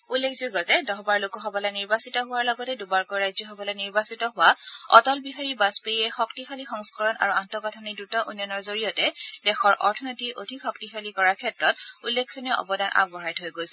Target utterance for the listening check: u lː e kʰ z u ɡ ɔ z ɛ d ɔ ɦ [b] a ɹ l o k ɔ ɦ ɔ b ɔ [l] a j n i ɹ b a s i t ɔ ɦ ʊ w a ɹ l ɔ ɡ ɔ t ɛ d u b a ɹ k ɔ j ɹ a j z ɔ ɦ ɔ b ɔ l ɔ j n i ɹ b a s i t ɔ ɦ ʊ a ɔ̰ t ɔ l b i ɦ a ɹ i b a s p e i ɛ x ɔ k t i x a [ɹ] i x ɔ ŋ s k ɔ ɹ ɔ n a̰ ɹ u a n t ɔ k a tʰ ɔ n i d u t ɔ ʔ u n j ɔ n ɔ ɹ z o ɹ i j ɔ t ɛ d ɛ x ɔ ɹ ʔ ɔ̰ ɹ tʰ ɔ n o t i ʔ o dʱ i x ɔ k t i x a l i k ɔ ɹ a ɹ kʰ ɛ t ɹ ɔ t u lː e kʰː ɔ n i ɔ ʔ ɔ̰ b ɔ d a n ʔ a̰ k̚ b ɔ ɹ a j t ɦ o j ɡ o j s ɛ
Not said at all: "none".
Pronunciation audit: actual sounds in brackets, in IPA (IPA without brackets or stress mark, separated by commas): b, l, l